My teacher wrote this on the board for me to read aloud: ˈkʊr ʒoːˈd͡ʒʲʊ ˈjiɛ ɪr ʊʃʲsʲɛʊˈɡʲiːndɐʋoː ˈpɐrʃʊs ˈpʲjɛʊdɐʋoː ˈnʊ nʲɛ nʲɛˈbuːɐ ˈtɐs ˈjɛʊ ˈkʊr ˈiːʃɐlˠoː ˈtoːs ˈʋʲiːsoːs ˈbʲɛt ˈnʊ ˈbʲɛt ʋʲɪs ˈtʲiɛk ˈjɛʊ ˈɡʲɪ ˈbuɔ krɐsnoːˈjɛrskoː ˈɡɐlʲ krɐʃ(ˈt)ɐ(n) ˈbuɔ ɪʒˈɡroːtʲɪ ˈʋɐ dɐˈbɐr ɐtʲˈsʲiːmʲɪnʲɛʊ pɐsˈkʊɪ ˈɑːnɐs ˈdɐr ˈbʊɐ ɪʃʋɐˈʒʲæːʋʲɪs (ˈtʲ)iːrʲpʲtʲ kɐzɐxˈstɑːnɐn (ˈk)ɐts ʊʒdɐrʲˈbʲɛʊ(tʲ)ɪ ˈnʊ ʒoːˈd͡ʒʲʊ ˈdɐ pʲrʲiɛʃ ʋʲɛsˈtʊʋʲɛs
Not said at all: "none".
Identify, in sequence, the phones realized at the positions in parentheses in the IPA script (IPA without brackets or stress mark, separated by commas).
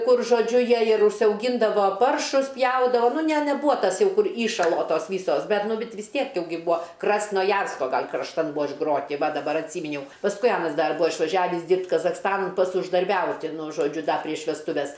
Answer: t, n, dʲ, p, tʲ